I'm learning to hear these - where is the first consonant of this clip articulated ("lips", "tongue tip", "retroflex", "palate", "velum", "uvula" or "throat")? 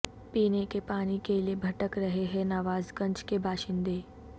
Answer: lips